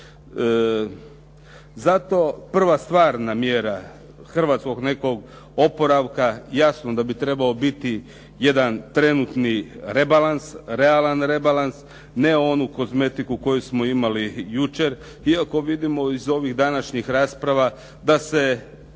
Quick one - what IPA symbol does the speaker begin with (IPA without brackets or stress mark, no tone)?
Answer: z